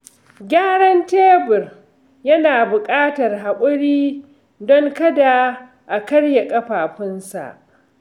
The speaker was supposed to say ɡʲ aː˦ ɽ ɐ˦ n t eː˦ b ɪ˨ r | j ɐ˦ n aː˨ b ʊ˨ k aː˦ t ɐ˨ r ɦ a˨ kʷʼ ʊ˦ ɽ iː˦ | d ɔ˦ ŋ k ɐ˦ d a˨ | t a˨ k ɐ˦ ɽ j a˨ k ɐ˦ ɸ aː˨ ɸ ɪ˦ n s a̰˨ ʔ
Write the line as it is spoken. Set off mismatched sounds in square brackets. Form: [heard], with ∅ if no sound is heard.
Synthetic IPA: ɡʲ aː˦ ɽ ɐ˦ n t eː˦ b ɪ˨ r | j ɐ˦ n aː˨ b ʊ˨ [kʼ] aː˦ t ɐ˨ r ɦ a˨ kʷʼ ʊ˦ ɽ iː˦ | d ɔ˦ ŋ k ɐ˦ d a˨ | [ʔ] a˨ k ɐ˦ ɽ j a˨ [kʼ] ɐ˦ ɸ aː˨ ɸ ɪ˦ n s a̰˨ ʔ